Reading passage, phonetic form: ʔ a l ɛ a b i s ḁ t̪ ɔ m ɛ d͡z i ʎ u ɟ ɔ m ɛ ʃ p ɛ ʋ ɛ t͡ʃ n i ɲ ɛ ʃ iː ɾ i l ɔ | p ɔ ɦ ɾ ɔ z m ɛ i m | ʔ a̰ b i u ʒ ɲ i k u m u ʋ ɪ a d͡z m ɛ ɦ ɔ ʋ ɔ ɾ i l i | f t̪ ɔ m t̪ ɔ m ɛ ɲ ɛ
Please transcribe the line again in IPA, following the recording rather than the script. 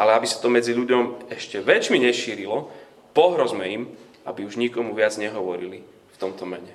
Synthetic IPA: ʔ a l ɛ a b i s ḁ t̪ ɔ m ɛ d͡z i ʎ u ɟ ɔ m ɛ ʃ c ɛ ʋ ɛ t͡ʃ m i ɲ ɛ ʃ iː ɾ i l ɔ | p ɔ ɦ ɾ ɔ z m ɛ i m | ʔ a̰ b i u ʒ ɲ i k ɔ m u ʋ ɪ a d͡z ɲ ɛ ɦ ɔ ʋ ɔ ɾ i l i | f t̪ ɔ m t̪ ɔ m ɛ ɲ ɛ